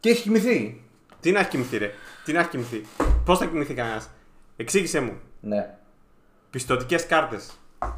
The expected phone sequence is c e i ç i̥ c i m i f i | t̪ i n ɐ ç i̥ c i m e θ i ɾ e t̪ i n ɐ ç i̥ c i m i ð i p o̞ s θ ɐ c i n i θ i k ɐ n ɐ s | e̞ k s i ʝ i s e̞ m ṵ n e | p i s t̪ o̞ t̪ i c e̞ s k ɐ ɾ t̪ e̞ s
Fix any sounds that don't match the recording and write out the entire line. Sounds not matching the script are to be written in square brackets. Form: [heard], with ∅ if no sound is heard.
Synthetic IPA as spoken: c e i ç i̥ c i m i [θ] i | t̪ i n ɐ ç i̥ c i m [i] θ i ɾ e t̪ i n ɐ ç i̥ c i m i [θ] i p o̞ s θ ɐ c i [m] i θ i k ɐ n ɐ s | e̞ k s i ʝ i s e̞ m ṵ n e | p i s t̪ o̞ t̪ i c e̞ s k ɐ ɾ t̪ e̞ s